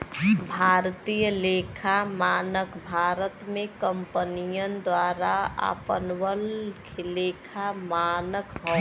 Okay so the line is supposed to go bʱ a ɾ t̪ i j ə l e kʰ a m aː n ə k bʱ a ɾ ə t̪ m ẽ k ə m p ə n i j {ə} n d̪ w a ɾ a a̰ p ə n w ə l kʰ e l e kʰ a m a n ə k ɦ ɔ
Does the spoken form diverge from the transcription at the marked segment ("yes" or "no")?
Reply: no